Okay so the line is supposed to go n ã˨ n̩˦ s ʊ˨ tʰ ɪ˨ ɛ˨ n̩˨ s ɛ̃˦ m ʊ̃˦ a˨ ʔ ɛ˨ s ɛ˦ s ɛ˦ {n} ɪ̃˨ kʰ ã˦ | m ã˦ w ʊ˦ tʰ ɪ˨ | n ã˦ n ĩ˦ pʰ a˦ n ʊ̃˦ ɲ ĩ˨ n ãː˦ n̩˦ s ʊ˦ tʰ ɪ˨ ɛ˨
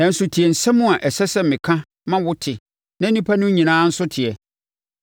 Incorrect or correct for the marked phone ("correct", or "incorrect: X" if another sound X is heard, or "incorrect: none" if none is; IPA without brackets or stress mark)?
incorrect: m